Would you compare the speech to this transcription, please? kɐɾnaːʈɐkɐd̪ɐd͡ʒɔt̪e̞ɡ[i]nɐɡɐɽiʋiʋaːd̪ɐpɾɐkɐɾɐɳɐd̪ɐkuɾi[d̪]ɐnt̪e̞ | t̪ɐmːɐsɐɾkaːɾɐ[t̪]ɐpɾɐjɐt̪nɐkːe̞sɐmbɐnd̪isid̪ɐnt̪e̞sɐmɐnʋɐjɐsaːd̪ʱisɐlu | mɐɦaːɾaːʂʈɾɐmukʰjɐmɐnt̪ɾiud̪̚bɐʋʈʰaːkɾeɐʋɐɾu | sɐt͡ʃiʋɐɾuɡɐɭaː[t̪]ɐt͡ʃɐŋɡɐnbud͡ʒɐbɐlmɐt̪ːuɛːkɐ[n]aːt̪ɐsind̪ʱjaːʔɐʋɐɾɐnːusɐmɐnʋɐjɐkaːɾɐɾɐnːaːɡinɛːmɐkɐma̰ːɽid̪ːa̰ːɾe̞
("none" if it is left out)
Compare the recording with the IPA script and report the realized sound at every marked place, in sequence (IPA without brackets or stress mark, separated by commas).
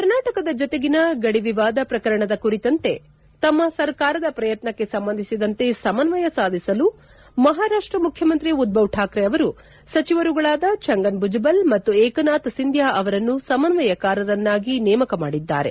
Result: i, t̪, d̪, d̪, n